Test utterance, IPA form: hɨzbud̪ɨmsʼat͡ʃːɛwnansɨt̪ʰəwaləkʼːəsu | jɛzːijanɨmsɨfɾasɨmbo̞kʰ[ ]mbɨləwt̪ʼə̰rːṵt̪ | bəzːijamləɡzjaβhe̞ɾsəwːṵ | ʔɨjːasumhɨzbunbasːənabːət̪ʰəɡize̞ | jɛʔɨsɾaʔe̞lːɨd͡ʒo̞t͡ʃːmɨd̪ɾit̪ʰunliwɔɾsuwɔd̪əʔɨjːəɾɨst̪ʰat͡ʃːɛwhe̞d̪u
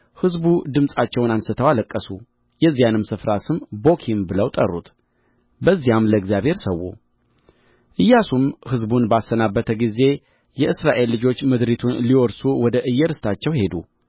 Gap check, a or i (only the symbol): i